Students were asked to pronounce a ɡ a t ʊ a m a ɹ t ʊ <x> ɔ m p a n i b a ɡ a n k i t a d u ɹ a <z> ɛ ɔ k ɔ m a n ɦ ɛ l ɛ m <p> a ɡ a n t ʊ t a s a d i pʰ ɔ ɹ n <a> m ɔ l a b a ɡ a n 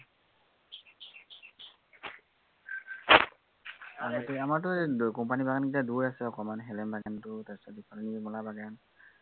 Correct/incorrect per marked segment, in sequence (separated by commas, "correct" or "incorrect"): incorrect, incorrect, incorrect, incorrect